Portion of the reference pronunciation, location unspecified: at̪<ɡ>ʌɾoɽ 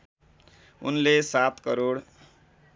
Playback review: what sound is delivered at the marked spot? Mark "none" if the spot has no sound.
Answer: k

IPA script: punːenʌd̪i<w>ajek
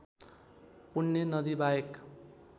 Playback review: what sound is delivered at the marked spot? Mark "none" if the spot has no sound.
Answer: b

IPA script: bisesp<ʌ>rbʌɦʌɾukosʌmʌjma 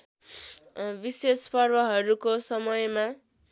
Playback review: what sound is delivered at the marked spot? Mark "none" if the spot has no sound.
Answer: ʌ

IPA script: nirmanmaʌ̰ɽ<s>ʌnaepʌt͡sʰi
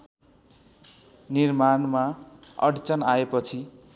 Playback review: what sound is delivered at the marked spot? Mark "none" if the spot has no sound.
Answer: t͡s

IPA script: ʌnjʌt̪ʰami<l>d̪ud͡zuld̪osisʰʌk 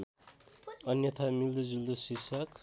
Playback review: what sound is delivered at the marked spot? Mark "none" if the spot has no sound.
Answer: l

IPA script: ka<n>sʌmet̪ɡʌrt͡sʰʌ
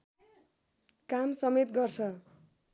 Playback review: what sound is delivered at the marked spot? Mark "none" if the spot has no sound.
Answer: m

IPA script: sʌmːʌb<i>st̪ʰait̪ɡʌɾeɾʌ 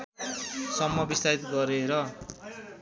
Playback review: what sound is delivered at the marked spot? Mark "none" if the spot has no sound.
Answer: i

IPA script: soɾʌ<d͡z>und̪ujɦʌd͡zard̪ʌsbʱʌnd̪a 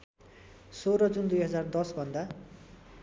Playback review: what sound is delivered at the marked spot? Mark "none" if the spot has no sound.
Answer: d͡z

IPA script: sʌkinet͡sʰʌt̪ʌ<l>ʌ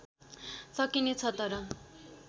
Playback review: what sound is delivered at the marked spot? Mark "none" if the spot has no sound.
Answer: ɾ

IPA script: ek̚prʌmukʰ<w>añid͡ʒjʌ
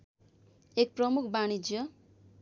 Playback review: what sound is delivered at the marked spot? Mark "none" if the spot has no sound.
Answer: b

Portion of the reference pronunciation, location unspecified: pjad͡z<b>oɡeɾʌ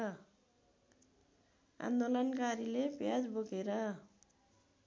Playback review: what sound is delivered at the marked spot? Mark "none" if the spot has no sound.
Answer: b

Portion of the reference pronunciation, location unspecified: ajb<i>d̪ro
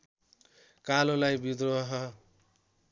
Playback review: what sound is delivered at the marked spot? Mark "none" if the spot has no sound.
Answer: i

